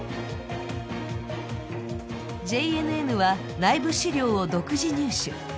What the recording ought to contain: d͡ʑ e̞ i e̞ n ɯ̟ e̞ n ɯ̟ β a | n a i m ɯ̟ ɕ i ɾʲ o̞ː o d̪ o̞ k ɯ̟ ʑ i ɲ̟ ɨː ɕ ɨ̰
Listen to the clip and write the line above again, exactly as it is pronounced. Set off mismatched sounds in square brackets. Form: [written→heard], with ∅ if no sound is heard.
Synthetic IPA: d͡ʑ e̞ i e̞ n ɯ̟ e̞ n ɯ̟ β a | n a i [m→b] ɯ̟ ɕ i ɾʲ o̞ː o d̪ o̞ k ɯ̟ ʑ i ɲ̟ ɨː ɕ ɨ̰